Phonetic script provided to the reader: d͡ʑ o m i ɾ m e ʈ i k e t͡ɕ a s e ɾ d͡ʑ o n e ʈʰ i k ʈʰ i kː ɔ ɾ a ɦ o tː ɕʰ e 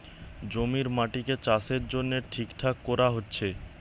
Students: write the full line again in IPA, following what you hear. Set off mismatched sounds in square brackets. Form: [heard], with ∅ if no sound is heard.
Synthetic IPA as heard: d͡ʑ o m i ɾ m [a] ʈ i k e t͡ɕ a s e ɾ d͡ʑ o [nː] e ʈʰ i k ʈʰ [a] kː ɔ ɾ a ɦ o tː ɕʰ e